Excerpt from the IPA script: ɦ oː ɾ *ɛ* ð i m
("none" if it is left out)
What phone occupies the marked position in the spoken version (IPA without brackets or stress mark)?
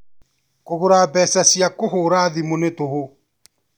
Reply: a